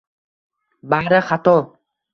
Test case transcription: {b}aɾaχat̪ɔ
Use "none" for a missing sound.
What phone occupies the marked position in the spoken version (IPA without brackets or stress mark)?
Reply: b